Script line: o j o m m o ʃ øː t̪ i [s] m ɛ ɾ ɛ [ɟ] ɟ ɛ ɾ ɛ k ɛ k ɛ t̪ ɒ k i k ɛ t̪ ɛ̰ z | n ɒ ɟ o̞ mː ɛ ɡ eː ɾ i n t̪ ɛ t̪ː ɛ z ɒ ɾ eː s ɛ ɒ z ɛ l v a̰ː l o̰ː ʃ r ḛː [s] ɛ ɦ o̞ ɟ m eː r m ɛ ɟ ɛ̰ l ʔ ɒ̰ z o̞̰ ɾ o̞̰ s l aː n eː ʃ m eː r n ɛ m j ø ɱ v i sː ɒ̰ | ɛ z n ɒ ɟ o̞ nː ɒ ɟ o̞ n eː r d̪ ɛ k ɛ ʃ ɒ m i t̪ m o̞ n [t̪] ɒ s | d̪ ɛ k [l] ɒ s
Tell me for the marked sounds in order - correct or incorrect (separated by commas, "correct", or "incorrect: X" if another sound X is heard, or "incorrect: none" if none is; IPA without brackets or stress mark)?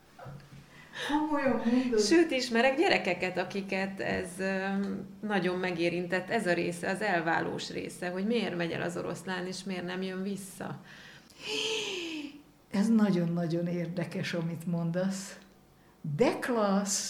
incorrect: ʃ, incorrect: ɡ, correct, incorrect: d̪, correct